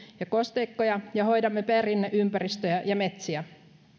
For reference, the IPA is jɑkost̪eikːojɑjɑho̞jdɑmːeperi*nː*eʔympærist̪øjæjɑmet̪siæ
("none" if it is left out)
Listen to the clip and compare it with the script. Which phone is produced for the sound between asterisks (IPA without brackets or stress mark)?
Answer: nː